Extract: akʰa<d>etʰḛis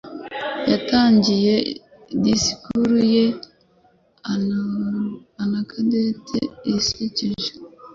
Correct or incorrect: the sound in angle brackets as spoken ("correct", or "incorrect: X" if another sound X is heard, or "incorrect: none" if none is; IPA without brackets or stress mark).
correct